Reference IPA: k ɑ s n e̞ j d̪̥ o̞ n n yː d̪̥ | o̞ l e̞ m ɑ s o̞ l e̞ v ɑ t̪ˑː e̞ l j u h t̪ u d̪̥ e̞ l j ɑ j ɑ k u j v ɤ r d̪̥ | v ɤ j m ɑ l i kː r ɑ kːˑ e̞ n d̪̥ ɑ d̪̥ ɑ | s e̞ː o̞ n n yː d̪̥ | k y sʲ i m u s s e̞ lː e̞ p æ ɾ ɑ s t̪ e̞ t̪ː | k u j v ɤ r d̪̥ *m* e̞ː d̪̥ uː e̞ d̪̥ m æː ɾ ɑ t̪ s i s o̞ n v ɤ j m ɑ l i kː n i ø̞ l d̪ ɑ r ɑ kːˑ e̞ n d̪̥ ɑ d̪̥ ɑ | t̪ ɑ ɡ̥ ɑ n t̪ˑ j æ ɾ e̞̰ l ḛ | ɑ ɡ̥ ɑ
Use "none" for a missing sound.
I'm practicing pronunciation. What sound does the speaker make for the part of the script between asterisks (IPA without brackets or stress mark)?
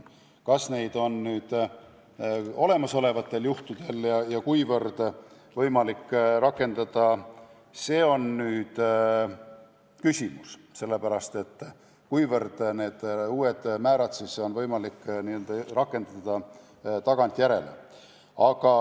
n